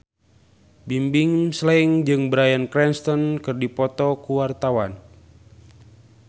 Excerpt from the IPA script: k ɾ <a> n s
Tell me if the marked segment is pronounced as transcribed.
no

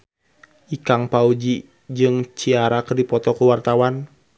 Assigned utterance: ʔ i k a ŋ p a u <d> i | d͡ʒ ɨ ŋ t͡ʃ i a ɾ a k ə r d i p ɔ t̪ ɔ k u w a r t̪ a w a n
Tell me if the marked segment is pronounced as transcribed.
no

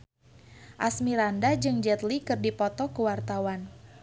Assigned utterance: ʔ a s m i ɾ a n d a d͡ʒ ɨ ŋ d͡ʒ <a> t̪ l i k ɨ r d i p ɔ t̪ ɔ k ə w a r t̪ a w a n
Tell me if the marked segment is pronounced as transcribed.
no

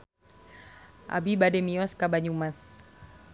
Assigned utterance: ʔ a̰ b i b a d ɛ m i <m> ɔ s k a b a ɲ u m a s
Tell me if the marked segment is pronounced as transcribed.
no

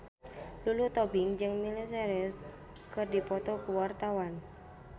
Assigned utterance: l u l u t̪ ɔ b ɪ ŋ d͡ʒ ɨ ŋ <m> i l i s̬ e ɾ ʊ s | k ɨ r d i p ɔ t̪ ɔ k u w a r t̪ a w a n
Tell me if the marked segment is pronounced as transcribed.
yes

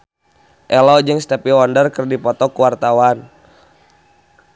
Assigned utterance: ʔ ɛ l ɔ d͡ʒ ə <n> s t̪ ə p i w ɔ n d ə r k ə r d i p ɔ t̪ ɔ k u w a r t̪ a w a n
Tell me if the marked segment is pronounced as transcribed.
no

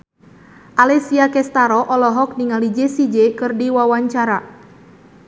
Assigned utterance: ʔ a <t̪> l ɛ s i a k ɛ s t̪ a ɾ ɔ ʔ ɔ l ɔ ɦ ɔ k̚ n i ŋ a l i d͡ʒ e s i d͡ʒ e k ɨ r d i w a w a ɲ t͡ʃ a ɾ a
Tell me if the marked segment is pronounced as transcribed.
no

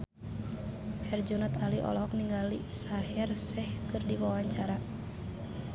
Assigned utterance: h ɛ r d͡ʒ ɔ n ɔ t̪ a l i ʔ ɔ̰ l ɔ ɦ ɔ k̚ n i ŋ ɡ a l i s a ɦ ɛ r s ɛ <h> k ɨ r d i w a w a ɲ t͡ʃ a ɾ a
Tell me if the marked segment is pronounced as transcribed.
yes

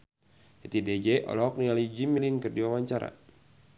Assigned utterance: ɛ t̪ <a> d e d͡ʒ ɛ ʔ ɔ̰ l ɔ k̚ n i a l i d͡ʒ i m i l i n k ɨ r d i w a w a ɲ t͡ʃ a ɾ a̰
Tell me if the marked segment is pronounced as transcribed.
no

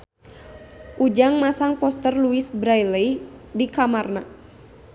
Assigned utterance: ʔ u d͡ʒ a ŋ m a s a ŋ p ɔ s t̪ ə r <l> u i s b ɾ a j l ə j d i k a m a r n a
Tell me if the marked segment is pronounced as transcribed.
yes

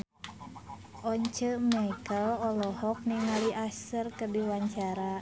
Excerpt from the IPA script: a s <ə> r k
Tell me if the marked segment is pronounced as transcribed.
yes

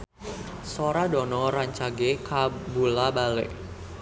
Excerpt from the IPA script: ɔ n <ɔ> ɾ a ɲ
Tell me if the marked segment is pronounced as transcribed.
yes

